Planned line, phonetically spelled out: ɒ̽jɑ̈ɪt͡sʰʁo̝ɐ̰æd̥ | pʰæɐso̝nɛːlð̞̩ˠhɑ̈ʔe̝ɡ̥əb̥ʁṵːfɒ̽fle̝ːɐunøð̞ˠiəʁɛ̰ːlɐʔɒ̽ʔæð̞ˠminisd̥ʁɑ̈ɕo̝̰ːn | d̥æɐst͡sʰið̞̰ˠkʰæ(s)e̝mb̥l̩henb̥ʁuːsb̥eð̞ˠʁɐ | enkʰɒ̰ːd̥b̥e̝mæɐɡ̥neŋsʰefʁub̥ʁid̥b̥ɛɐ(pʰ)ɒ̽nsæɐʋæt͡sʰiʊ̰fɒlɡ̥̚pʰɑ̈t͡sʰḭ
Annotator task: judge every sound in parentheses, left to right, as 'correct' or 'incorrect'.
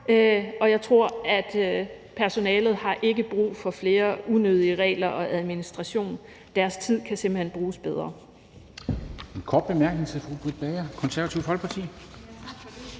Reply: correct, incorrect: kʰ

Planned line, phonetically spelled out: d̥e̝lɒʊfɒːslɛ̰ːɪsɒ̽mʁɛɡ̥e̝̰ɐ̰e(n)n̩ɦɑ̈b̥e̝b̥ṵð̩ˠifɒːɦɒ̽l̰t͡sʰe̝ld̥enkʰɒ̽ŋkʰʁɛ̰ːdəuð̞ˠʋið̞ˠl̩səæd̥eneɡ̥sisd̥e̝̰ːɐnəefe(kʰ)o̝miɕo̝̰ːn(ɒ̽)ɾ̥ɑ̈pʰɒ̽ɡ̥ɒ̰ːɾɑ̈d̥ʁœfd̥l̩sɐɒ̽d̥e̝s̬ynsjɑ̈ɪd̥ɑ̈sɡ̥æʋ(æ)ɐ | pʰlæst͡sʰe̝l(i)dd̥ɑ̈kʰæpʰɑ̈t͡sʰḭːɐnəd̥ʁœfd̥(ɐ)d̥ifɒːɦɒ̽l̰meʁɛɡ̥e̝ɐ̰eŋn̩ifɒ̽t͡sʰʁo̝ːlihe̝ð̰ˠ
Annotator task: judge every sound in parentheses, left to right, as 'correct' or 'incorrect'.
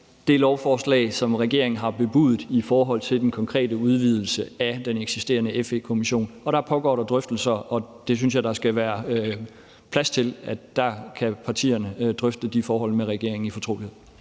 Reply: incorrect: ŋ, correct, correct, incorrect: æː, incorrect: æ, incorrect: ə

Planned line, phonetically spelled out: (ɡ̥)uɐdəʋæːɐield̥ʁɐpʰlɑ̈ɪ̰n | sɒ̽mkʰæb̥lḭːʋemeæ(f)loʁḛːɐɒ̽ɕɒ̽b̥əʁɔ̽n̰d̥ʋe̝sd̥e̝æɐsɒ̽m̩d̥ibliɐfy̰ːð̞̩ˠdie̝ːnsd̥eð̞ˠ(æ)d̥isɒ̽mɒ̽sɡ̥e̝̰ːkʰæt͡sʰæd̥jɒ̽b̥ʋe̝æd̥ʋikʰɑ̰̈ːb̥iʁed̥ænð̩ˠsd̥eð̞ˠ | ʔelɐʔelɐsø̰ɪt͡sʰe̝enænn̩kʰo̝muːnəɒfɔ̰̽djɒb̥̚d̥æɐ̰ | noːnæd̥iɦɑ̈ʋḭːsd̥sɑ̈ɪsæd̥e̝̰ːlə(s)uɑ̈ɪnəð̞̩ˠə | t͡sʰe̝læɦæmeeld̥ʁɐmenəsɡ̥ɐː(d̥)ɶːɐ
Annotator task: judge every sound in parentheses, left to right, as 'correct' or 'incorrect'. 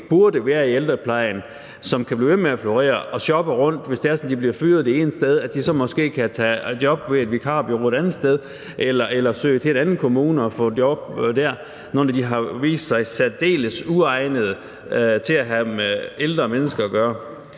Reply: incorrect: b̥, correct, correct, correct, incorrect: ɡ̥

